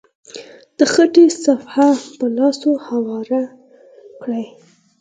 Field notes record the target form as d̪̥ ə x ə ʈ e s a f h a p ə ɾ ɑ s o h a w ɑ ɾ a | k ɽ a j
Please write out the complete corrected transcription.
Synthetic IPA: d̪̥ ə x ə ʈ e s a f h a p ə l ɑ s o h a w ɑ ɾ a | k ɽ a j

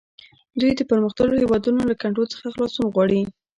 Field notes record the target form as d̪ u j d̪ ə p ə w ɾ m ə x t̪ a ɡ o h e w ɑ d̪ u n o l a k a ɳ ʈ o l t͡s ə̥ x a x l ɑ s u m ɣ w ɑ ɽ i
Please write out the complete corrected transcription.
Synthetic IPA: d̪ u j d̪ ə p ə ɾ m ə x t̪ a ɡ o h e w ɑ d̪ u n o l a k a ɳ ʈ o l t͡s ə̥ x a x l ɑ s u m ɣ w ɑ ɽ i

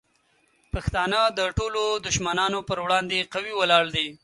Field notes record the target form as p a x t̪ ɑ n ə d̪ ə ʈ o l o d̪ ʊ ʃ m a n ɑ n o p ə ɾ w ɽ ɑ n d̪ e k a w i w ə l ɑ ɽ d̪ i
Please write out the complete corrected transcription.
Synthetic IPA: p a x t̪ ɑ n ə d̪ ə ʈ o l o d̪ ʊ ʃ m a n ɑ n o p ə ɾ w ɽ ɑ n d̪ e q a w i w ə l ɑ ɽ d̪ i

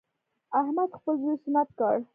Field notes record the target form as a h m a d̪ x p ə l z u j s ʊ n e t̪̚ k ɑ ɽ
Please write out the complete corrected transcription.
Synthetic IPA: a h m a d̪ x p ə l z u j s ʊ n a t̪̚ k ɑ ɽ

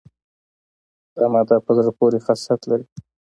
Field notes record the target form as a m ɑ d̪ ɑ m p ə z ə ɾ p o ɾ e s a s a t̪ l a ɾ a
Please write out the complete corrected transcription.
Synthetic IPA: a m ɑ d̪ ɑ p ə z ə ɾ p o ɾ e x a s a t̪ l a ɾ i

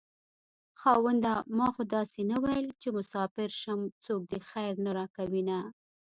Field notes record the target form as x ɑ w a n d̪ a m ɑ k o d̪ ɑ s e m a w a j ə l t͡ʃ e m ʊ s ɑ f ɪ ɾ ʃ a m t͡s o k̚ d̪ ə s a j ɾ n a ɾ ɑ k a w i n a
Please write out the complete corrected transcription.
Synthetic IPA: x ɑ w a n d̪ a m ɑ x o d̪ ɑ s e n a w a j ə l t͡ʃ e m ʊ s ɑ f ɪ ɾ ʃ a m t͡s o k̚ d̪ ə x a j ɾ n a ɾ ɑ k a w i n a

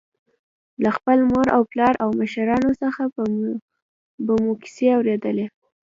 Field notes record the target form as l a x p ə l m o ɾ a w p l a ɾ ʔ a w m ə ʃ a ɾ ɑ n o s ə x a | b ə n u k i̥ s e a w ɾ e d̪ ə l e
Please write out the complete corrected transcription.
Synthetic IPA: l a x p ə l m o ɾ a w p l ɑ ɾ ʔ a w m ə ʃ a ɾ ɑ n o s ə x a | b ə m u k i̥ s e a w ɾ e d̪ ə l e

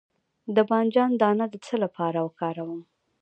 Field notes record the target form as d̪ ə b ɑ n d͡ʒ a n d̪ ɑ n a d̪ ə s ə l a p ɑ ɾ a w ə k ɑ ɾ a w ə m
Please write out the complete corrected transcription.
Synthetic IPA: d̪ ə b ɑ n d͡ʒ ɑ n d̪ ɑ n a d̪ ə t͡s ə l a p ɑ ɾ a w ə k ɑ ɾ a w ə m

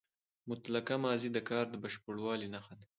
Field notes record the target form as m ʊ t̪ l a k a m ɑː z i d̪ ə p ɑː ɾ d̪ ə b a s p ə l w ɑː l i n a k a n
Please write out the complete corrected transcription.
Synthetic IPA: m ʊ t̪ l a k a m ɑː z i d̪ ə k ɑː ɾ d̪ ə b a ʃ p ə ɽ w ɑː l i n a x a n

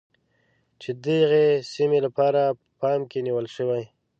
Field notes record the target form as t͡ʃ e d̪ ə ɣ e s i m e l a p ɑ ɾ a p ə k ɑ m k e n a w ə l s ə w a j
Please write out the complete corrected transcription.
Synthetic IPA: t͡ʃ e d̪ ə ɣ e s i m e l a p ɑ ɾ a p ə p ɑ m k e n i w ə l ʃ ə w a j

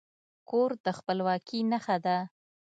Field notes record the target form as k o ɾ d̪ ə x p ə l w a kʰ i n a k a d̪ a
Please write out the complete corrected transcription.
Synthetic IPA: k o ɾ d̪ ə x p ə l w ɑ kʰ i n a x a d̪ a

